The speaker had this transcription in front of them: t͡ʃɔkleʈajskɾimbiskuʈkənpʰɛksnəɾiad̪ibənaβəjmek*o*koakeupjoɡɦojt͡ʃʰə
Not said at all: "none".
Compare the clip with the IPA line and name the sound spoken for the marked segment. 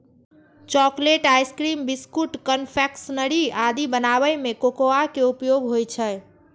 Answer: o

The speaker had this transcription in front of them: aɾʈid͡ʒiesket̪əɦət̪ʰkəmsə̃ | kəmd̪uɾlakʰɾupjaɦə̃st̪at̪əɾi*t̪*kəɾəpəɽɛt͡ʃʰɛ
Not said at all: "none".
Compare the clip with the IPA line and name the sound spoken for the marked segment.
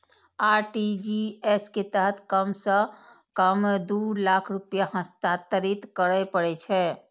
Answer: t̪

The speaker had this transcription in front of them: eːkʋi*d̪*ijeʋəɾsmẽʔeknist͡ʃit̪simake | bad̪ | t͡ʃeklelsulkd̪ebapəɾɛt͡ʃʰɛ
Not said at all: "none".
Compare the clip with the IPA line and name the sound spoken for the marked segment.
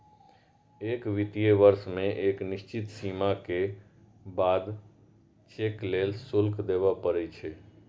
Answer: t̪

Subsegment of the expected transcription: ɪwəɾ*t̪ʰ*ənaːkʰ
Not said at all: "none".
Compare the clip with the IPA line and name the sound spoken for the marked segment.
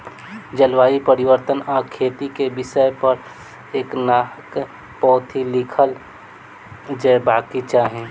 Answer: t̪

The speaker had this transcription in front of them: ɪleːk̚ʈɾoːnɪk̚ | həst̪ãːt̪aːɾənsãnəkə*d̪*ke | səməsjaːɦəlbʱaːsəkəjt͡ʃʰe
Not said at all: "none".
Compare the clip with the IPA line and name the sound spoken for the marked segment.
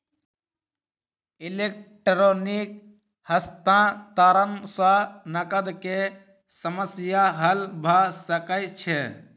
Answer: d̪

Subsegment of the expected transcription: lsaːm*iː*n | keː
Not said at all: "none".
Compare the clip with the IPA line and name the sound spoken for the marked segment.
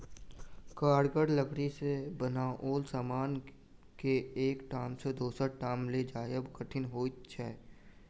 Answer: aː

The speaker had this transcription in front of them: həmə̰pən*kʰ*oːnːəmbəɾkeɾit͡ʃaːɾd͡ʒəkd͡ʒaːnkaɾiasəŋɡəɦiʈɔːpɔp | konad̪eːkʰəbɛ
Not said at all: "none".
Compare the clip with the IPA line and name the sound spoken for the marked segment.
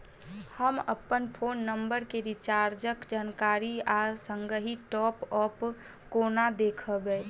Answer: pʰ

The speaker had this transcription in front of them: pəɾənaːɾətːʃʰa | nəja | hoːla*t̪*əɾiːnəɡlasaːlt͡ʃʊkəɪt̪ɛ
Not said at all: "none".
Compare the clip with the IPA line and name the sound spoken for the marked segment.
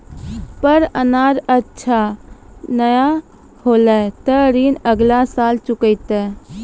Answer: t̪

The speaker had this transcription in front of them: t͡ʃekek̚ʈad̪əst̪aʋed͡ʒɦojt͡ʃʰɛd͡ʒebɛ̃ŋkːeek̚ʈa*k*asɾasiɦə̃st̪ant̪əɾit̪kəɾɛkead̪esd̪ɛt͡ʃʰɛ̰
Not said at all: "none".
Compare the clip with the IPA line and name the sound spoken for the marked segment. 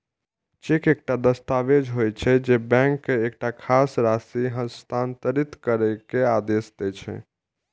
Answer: kʰ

